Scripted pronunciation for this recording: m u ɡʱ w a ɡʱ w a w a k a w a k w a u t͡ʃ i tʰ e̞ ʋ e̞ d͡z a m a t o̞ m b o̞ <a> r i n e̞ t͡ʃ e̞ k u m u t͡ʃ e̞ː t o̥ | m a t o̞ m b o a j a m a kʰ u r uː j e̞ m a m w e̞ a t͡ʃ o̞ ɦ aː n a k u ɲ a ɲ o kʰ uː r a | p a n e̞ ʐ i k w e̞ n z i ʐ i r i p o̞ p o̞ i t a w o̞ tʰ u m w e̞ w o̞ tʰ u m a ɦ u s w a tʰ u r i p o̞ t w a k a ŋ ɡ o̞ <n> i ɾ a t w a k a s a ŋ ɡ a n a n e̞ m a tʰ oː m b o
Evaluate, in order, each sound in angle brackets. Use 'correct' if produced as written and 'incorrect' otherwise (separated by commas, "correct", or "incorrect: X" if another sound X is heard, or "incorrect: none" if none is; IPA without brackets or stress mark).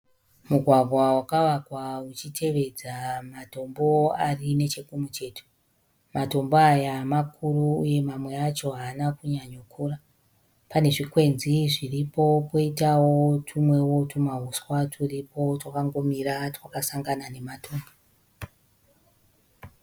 correct, incorrect: m